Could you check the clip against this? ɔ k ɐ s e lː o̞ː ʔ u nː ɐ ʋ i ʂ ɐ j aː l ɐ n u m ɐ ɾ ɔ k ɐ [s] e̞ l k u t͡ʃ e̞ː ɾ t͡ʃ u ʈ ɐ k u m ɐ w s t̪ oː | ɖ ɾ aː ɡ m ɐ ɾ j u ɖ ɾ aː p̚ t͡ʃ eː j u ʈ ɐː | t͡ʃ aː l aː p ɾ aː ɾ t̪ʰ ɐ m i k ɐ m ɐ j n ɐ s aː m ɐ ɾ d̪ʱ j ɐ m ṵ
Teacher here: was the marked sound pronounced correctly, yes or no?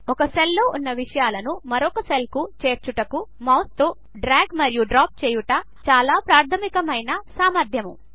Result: yes